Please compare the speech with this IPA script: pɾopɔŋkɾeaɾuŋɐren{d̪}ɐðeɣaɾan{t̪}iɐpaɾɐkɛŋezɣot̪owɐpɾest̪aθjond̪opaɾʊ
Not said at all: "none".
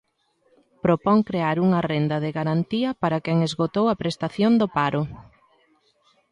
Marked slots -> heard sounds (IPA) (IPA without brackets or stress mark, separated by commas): d̪, t̪